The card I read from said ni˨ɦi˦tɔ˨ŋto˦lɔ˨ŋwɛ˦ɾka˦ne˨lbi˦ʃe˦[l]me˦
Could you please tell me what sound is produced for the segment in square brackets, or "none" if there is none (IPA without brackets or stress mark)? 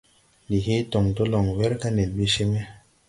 none